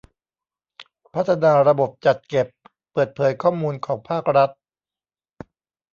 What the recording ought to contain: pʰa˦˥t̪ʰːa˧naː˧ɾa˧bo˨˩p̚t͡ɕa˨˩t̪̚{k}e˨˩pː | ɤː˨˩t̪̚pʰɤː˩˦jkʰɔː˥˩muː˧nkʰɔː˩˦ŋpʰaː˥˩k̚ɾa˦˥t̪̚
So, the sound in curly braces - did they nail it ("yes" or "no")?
yes